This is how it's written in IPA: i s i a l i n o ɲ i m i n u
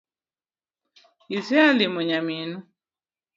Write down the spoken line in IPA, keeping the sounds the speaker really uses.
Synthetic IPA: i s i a l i m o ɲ a m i n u